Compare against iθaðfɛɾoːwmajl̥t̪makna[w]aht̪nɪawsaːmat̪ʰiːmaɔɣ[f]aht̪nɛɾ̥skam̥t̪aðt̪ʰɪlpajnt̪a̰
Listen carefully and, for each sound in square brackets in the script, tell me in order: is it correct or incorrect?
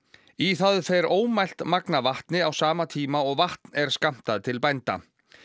incorrect: v, incorrect: v

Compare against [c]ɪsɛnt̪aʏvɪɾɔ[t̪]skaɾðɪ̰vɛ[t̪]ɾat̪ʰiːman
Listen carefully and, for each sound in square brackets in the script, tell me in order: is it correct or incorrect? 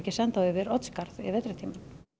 correct, correct, correct

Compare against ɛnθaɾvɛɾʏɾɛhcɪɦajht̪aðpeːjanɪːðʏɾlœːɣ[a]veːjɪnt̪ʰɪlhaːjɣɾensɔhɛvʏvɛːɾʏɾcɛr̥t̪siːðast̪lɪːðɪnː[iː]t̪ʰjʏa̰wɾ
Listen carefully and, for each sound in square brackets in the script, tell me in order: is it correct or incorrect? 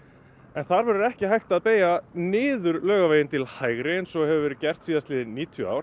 correct, correct

